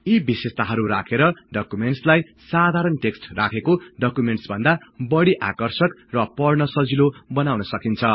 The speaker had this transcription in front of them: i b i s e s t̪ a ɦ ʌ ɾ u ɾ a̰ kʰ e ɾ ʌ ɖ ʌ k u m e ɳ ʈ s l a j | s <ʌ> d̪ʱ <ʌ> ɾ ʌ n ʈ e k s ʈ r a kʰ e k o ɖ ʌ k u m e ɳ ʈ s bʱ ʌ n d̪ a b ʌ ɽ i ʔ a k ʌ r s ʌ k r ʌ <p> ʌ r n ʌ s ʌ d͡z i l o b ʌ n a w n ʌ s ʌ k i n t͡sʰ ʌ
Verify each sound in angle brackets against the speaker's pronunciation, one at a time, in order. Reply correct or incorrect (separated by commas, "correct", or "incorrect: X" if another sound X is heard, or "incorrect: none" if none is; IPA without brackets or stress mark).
incorrect: a, incorrect: a, correct